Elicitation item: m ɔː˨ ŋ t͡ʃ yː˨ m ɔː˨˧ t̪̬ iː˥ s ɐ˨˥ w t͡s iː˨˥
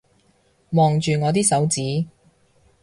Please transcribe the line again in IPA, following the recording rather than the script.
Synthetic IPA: m ɔː˨ ŋ t͡ʃ yː˨ ŋ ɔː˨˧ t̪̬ iː˥ s ɐ˨˥ w t͡s iː˨˥